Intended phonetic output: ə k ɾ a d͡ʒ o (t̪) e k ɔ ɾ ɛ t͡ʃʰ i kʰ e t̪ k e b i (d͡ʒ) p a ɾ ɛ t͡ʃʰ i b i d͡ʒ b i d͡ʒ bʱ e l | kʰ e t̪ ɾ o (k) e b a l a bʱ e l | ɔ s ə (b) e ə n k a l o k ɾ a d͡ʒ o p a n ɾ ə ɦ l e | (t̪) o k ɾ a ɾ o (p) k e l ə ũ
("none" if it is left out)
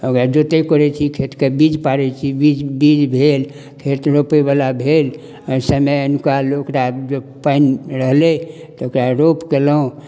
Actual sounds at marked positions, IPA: t̪, d͡ʒ, p, m, t̪, p

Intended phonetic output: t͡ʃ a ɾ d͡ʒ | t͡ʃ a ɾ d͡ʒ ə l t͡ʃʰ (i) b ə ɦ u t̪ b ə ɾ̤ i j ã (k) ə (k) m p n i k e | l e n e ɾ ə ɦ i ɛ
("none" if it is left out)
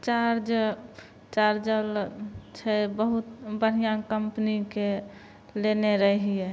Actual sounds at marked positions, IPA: ɛ, k, none

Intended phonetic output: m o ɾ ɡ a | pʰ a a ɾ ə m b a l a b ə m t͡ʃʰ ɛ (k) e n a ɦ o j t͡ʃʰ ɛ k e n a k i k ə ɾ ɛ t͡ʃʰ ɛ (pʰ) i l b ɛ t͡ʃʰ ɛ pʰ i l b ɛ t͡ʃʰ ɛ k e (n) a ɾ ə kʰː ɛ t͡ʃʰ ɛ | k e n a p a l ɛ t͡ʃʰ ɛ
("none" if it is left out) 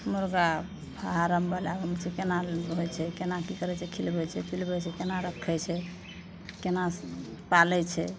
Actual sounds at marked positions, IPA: k, kʰ, n

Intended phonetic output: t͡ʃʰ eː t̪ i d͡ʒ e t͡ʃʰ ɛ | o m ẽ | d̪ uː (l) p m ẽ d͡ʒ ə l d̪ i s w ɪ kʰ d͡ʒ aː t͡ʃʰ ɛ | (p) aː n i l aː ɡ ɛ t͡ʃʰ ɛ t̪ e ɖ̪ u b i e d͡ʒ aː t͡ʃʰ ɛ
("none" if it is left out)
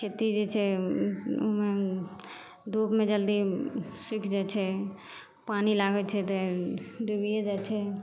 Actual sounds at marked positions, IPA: none, p

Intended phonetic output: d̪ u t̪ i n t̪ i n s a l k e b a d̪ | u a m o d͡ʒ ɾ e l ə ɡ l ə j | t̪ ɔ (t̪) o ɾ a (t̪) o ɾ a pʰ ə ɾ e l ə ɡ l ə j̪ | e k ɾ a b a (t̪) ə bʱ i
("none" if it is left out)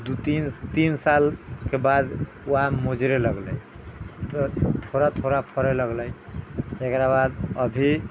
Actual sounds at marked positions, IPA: t̪ʰ, t̪ʰ, d̪

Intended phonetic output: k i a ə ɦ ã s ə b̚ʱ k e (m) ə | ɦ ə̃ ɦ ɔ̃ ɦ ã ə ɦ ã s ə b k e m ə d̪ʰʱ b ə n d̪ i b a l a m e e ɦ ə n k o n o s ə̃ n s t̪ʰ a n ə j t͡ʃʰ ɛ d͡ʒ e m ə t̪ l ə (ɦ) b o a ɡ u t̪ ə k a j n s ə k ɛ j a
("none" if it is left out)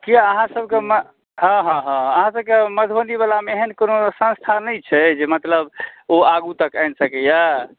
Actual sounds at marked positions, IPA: m, none

